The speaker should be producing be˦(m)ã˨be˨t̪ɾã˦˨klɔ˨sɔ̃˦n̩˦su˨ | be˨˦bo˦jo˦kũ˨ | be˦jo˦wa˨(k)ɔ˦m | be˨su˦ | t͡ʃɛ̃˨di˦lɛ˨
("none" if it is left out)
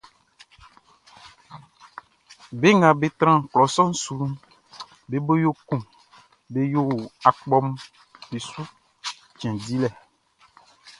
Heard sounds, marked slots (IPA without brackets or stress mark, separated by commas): ŋ, k͡p